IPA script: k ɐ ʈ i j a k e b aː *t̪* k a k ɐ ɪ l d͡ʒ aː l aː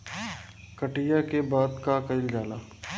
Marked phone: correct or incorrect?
incorrect